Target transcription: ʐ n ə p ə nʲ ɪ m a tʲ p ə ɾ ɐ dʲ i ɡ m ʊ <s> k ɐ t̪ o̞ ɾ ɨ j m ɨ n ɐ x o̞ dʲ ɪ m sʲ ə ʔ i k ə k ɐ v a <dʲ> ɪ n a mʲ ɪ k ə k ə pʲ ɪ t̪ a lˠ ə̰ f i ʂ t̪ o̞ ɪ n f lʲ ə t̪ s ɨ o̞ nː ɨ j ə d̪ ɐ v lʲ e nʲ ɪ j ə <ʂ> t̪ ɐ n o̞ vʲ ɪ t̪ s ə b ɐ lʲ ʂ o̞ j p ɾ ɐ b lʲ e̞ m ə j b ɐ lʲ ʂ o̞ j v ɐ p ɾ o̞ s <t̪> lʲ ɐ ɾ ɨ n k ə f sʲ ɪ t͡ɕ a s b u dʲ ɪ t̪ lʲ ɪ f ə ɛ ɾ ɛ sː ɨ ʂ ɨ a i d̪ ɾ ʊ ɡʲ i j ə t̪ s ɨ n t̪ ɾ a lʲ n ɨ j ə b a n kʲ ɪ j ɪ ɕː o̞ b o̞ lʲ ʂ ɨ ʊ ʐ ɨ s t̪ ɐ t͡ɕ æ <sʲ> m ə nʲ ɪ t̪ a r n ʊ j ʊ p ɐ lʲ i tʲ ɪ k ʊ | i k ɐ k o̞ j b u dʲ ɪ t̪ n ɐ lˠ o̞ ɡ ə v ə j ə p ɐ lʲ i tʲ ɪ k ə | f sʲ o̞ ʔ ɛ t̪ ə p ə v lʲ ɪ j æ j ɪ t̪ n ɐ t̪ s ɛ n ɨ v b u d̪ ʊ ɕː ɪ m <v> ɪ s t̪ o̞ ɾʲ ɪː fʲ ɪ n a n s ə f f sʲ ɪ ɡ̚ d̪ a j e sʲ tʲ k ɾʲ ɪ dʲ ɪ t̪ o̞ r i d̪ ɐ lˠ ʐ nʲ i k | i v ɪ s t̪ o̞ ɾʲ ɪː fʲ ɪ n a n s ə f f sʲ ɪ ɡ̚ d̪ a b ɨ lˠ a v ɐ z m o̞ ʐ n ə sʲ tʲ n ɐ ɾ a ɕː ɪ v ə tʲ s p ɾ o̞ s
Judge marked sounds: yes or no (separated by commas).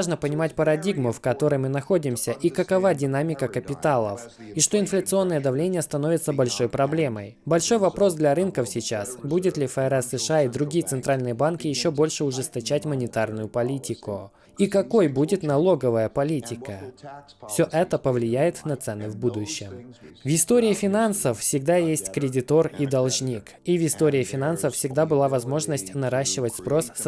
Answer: no, yes, no, no, no, yes